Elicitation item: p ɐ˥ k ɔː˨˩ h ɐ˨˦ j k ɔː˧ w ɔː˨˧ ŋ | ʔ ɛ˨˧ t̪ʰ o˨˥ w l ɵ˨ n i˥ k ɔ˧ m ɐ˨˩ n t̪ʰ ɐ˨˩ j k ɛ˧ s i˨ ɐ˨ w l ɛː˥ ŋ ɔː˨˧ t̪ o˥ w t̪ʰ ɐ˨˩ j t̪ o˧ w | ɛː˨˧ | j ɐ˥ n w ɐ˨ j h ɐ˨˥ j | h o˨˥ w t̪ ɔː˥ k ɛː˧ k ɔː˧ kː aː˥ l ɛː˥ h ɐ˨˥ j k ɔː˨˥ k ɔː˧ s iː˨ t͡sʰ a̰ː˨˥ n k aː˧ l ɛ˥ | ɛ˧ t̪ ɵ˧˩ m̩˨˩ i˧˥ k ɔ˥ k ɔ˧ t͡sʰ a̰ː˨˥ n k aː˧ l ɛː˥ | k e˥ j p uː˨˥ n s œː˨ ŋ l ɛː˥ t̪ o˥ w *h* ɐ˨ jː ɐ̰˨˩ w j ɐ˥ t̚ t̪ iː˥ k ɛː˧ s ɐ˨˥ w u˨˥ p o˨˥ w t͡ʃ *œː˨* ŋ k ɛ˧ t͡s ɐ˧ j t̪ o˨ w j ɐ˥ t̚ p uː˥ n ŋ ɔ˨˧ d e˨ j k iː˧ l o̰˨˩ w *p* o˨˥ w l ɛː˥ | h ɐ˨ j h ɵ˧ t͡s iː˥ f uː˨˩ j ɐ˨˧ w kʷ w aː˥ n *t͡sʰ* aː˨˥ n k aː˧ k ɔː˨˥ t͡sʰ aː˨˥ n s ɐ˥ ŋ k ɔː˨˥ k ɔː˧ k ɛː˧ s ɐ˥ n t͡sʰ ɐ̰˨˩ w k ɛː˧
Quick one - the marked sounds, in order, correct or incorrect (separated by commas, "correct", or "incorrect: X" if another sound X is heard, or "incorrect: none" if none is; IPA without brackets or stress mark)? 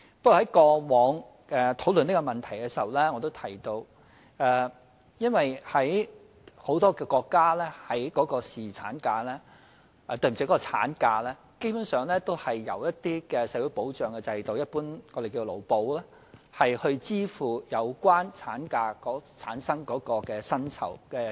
correct, correct, correct, correct